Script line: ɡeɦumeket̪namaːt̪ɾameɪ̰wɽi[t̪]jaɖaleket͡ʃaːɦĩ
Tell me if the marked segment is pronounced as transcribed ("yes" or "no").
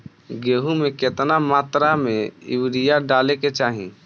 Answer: no